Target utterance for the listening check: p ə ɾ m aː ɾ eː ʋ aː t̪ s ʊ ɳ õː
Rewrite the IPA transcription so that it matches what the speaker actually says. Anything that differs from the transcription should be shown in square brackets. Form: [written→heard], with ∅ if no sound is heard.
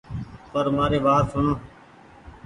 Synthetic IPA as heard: p ə ɾ m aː ɾ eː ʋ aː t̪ s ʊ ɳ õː